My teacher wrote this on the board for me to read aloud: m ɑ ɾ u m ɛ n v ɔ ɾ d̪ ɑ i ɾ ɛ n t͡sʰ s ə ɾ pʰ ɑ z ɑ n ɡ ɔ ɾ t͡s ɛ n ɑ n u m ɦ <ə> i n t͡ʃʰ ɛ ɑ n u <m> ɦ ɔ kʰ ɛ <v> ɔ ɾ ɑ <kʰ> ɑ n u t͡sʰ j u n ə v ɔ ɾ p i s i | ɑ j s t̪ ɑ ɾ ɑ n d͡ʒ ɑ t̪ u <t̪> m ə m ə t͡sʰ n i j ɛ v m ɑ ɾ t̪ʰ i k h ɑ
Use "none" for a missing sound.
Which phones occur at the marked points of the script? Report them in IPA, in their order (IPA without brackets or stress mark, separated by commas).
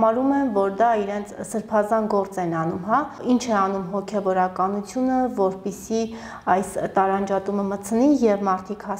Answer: ɑ, m, v, k, none